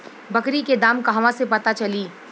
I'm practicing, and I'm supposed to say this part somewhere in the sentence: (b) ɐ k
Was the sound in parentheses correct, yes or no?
yes